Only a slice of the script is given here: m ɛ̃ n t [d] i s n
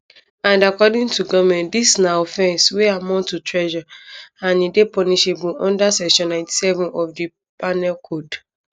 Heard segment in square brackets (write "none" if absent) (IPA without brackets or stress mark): d